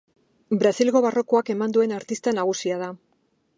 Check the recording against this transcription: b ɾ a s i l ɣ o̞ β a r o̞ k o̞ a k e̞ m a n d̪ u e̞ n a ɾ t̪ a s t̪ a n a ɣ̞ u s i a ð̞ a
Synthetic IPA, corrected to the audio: b ɾ a s i l ɣ o̞ β a r o̞ k o̞ a k e̞ m a n d̪ u e̞ n a ɾ t̪ i s t̪ a n a ɣ̞ u s i a ð̞ a